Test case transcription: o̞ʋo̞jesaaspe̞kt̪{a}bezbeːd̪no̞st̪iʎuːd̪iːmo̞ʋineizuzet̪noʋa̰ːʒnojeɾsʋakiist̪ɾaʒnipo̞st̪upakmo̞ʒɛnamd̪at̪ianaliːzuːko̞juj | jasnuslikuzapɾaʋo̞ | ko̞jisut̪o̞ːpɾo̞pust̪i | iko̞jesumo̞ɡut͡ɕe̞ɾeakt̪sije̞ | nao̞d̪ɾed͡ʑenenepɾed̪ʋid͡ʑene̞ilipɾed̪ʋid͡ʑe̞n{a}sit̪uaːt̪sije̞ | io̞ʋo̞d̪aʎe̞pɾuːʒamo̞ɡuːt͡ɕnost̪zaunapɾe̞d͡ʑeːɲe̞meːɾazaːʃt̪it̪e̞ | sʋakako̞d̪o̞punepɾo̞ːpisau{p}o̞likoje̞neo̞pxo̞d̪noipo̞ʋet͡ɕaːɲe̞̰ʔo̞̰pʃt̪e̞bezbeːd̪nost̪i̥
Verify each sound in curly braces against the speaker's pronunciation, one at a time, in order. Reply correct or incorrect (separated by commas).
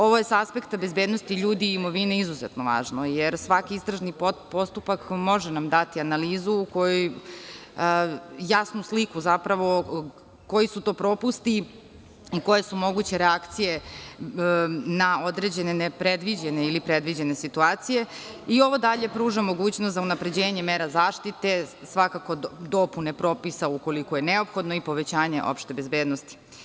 correct, incorrect, incorrect